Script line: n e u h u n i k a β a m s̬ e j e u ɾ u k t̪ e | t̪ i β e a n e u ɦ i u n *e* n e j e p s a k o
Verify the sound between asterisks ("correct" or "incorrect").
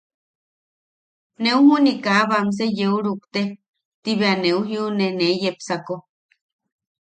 correct